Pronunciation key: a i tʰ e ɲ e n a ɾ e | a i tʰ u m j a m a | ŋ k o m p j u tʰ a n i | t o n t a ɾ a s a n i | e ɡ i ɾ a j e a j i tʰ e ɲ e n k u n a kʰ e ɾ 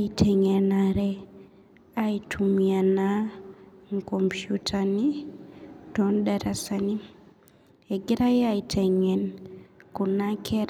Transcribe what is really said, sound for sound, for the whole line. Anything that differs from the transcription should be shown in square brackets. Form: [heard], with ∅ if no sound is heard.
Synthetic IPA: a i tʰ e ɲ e n a ɾ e | a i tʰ u m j a [n] a | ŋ k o m p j u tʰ a n i | t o n [d] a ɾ a s a n i | e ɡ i ɾ a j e a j i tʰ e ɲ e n k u n a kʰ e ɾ